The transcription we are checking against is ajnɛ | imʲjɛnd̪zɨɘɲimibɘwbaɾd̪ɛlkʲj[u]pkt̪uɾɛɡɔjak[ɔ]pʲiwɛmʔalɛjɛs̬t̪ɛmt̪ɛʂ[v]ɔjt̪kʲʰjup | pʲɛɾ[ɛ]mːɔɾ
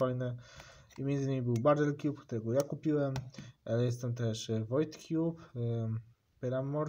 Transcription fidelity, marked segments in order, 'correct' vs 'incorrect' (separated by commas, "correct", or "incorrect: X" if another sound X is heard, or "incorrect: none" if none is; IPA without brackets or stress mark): correct, incorrect: u, correct, incorrect: a